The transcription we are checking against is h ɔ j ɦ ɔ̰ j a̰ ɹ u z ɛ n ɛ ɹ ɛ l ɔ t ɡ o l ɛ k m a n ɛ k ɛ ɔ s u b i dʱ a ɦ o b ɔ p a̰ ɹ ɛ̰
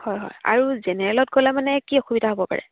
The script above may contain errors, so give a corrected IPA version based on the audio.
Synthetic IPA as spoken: h ɔ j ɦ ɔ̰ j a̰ ɹ u z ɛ n ɛ ɹ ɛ l ɔ t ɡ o l ɛ m a n ɛ k i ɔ x u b i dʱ a ɦ o b ɔ p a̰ ɹ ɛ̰